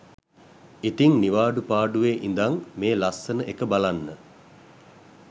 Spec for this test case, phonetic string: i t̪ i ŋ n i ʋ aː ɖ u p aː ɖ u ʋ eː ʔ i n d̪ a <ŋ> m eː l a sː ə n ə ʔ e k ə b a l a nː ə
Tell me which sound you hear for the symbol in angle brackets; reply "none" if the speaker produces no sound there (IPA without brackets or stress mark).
ŋ